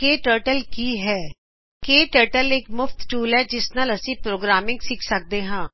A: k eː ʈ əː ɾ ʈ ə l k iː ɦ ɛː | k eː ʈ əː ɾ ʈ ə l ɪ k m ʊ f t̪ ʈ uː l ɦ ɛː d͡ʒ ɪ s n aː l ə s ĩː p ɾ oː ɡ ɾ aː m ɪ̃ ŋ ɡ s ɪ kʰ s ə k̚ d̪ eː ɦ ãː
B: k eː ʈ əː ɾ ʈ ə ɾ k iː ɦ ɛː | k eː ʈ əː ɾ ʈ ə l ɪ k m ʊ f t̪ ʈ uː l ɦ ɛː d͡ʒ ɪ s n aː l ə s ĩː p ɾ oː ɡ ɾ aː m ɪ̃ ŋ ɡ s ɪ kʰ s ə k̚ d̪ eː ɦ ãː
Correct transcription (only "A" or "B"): A